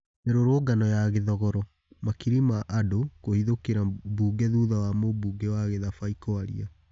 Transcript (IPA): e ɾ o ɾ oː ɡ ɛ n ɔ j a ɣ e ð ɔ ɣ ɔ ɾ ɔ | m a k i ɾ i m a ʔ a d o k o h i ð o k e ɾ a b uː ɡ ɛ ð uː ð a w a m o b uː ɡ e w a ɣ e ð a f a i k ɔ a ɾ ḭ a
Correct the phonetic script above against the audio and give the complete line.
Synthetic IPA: e ɾ o ɾ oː ɡ a n ɔ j a ɣ e ð ɔ ɣ ɔ ɾ ɔ | m a k i ɾ i m a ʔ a d o k o h i ð o k e ɾ a b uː ɡ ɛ ð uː ð a w a m o b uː ɡ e w a ɣ e ð a f a i k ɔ a ɾ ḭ a